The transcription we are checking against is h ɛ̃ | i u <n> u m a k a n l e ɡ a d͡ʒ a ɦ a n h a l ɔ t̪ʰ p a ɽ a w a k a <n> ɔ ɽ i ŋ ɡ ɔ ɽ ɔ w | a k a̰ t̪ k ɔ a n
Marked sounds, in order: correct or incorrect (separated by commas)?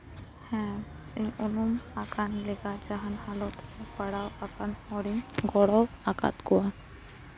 correct, correct